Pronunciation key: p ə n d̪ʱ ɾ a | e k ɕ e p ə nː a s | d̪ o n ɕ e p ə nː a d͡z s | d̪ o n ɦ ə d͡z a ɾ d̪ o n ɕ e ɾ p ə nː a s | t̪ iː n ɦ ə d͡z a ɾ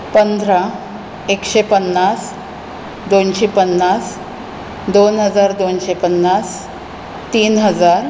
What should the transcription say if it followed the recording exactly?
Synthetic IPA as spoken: p ə n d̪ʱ ɾ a | e k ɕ e p ə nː a s | d̪ o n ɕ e p ə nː a s | d̪ o n ɦ ə d͡z a ɾ d̪ o n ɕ e p ə nː a s | t̪ iː n ɦ ə d͡z a ɾ